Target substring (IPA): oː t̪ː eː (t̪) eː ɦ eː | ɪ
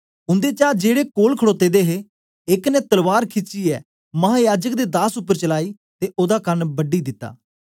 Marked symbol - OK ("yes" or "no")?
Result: no